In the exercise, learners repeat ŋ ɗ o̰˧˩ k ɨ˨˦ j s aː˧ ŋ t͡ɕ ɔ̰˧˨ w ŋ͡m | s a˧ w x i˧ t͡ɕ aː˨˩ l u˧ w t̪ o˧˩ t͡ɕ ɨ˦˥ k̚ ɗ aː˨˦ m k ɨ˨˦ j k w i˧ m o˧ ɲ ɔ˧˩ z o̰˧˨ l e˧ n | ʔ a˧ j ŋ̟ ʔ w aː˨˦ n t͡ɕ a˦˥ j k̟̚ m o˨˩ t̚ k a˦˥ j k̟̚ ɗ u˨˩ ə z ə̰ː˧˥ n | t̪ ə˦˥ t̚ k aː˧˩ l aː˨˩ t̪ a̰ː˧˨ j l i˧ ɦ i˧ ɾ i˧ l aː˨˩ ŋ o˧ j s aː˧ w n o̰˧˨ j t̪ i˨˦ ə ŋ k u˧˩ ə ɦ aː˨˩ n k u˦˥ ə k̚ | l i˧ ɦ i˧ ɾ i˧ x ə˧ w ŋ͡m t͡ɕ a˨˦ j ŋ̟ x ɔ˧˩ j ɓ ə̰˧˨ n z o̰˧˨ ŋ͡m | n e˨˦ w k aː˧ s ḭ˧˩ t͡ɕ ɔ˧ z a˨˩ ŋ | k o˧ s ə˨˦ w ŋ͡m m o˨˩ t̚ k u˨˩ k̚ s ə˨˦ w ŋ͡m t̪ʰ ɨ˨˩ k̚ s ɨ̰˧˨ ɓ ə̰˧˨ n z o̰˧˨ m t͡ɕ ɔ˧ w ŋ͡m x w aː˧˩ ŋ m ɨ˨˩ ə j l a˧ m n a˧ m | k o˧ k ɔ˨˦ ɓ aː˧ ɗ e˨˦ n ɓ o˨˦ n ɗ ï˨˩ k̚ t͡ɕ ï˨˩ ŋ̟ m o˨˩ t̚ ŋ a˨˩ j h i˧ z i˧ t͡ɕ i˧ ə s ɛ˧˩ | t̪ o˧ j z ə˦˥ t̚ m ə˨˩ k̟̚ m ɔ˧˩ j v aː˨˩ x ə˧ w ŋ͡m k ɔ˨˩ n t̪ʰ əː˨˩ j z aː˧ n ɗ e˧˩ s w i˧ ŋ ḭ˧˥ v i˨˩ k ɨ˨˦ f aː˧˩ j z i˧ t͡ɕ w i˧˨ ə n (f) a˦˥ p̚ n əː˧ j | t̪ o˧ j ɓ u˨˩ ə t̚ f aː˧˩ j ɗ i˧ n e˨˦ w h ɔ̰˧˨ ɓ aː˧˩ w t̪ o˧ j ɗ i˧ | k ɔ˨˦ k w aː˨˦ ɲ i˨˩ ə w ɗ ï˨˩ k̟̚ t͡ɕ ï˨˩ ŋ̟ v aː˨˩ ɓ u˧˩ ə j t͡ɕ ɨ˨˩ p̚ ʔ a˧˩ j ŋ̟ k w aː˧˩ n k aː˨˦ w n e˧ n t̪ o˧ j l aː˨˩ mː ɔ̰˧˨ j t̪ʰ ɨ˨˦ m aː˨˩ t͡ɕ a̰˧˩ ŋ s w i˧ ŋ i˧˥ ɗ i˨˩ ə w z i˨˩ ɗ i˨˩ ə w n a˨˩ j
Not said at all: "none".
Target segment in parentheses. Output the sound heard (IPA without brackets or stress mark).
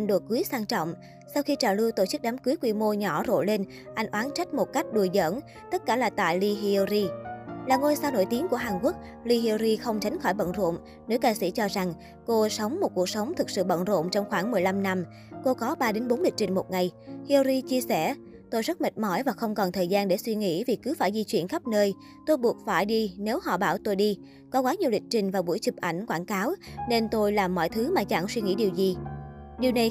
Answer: x